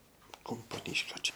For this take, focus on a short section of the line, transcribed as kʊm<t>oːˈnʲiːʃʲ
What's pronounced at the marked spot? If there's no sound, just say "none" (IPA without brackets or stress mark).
p